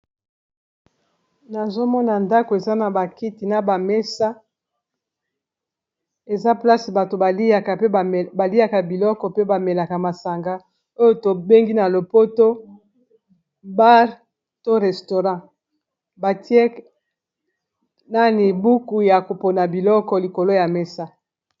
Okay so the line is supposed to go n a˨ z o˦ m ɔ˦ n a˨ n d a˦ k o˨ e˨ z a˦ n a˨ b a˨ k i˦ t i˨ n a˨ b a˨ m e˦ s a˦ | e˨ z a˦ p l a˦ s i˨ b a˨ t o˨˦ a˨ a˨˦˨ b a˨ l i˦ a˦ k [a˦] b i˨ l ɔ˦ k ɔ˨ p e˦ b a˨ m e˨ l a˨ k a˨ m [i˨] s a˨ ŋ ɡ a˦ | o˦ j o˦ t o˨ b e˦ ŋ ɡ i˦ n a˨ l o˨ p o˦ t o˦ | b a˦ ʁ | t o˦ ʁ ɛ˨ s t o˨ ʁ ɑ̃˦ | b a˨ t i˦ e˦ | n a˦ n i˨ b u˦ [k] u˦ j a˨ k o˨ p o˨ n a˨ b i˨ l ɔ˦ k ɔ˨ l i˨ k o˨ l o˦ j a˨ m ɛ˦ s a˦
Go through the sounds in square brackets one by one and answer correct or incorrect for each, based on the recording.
incorrect, incorrect, correct

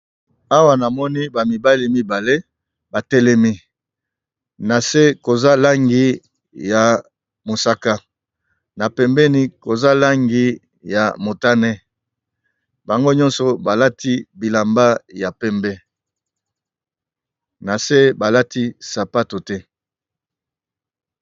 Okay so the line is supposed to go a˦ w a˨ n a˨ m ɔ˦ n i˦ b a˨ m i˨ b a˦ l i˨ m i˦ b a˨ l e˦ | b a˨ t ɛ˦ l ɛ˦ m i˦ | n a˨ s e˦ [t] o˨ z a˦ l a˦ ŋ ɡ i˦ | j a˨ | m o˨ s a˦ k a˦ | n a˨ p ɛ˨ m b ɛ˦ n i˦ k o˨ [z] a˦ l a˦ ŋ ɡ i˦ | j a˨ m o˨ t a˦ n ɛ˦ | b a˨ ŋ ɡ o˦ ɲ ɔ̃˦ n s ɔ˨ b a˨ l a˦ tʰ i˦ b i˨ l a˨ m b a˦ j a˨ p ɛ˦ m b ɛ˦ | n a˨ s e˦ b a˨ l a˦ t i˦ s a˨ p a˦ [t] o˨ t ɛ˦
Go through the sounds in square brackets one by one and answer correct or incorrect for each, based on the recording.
incorrect, correct, correct

